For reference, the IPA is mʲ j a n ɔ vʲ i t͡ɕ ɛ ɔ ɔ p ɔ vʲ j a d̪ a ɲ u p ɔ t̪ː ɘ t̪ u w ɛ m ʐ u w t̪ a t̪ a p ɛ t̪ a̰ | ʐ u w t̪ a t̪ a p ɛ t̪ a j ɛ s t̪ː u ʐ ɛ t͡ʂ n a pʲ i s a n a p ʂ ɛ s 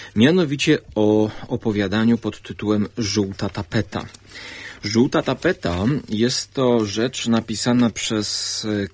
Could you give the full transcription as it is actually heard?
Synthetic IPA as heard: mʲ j a n ɔ vʲ i t͡ɕ ɛ ɔ ɔ p ɔ vʲ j a d̪ a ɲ u p ɔ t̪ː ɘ t̪ u w ɛ m ʐ u w t̪ a t̪ a p ɛ t̪ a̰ | ʐ u w t̪ a t̪ a p ɛ t̪ a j ɛ s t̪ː ɔ ʐ ɛ t͡ʂ n a pʲ i s a n a p ʂ ɛ s